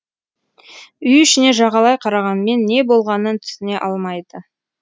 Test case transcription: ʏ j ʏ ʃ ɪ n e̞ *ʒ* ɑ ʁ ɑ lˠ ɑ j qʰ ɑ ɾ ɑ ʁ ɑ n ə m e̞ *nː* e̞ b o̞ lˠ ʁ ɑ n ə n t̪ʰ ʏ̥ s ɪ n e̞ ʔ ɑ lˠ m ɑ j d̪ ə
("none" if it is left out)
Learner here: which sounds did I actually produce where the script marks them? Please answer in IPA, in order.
ʒ, nː

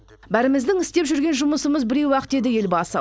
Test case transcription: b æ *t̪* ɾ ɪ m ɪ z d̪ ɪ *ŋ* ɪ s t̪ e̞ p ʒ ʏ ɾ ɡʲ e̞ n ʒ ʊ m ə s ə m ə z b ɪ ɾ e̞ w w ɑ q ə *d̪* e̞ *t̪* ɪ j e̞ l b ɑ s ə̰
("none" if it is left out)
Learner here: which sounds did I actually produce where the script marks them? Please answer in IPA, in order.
none, ŋ, t̪, d̪

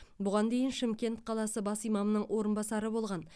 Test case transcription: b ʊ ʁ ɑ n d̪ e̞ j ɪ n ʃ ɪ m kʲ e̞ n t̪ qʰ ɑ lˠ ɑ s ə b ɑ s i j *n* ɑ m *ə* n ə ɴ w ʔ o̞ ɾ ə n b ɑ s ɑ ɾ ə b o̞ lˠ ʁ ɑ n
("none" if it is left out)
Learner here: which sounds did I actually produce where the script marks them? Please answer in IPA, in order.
m, ə

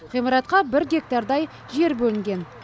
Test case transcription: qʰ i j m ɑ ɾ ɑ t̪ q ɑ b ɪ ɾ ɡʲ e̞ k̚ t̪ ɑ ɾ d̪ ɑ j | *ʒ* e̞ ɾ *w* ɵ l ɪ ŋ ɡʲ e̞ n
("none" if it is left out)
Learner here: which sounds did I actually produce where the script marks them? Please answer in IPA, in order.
ʒ, b

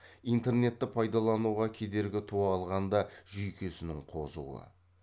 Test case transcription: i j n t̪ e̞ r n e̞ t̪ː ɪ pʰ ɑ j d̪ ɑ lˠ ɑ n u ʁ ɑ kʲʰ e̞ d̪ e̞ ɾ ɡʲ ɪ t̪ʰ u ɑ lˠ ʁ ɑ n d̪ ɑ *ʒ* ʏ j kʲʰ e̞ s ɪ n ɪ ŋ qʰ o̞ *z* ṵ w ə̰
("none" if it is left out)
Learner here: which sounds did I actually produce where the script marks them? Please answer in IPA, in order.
ʒ, z

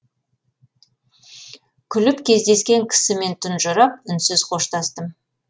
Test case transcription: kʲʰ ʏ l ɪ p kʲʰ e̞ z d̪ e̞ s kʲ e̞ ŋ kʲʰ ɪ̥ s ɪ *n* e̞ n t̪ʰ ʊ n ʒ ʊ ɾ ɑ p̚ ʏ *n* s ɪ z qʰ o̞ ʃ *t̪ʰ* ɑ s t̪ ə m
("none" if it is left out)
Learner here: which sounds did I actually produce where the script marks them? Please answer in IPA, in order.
m, n, t̪

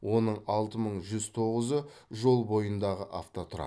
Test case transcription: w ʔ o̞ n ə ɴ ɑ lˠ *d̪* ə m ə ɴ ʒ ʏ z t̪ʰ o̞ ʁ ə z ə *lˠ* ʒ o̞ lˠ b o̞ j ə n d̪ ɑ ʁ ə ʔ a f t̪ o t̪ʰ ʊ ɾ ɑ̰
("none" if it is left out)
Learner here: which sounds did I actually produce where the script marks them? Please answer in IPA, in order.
t̪, none

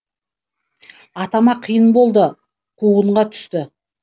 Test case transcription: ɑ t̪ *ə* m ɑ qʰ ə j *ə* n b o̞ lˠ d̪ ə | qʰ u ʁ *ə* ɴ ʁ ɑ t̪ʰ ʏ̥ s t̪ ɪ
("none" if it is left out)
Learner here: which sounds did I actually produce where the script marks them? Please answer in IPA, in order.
ɑ, ə, ə

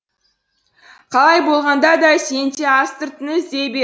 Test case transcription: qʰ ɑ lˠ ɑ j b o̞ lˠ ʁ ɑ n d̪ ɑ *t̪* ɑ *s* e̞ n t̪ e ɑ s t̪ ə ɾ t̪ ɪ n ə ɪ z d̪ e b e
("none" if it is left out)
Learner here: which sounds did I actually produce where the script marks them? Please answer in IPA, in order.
d̪, s

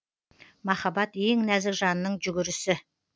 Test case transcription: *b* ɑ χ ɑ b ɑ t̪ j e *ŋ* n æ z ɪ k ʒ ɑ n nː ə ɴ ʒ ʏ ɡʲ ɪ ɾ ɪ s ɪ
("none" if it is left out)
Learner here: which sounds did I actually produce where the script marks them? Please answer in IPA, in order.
m, ŋ

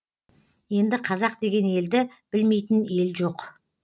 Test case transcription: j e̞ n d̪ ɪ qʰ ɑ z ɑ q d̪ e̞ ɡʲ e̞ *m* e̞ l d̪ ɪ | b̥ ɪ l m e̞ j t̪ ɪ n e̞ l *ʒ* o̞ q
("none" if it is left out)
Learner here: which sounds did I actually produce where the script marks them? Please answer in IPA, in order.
n, ʒ

